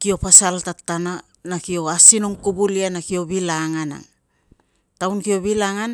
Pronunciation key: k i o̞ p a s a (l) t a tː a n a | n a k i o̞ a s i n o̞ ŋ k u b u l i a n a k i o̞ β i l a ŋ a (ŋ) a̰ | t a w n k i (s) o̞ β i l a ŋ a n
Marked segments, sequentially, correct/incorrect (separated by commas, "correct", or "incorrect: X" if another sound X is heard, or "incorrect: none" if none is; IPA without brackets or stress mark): correct, incorrect: n, incorrect: none